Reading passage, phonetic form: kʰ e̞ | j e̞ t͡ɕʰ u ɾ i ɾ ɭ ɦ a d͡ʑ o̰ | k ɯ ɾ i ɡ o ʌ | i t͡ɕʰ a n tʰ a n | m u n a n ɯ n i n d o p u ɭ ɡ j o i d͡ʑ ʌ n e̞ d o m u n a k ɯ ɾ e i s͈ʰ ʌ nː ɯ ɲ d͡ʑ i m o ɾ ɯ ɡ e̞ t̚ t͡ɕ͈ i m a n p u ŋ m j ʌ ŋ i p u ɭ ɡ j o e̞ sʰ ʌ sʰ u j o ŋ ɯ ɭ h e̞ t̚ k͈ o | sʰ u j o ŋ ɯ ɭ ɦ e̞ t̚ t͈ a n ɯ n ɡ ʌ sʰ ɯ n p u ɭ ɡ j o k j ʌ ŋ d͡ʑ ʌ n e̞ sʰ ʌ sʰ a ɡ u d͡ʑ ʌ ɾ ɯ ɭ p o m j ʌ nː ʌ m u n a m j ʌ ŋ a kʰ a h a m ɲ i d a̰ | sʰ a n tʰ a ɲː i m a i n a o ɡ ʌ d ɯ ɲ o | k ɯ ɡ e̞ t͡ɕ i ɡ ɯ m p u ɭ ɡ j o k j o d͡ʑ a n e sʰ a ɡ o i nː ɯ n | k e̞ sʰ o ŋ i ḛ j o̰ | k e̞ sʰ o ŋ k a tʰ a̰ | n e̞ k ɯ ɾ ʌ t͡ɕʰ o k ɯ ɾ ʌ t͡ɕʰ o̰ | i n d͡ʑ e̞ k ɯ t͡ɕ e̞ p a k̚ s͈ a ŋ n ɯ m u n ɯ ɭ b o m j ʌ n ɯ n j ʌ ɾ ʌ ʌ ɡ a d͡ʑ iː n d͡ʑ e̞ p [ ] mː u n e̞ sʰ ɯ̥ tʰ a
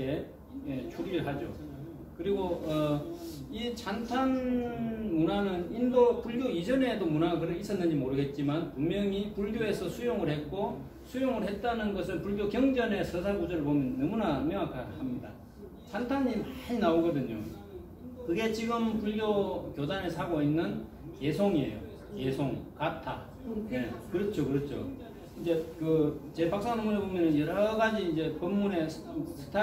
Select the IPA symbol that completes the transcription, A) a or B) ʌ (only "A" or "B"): B